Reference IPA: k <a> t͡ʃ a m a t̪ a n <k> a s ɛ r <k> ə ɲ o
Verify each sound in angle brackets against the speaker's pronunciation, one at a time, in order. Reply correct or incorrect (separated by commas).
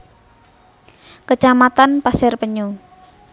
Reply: incorrect, incorrect, incorrect